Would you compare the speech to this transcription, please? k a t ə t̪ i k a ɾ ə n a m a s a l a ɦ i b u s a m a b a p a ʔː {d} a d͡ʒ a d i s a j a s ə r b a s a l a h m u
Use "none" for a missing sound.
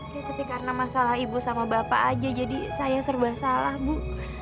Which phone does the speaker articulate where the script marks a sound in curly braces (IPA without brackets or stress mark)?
d͡ʒ